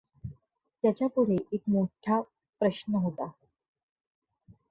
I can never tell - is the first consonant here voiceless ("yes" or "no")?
yes